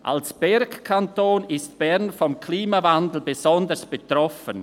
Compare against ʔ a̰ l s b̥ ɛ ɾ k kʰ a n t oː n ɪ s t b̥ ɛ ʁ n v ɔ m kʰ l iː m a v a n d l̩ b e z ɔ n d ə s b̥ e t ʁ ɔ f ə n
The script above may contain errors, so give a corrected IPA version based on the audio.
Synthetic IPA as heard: ʔ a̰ l s b̥ ɛ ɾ k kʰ a n t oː n ɪ s t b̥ ɛ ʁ n f ɔ m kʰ l iː m a v a n d l̩ b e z ɔ n d ə s b̥ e t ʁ ɔ f ə n